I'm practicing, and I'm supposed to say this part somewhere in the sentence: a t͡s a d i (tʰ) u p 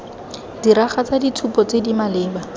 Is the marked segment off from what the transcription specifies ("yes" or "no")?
no